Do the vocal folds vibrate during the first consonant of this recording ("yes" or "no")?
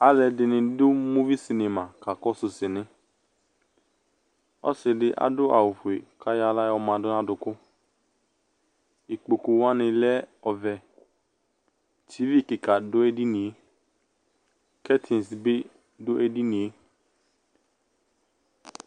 yes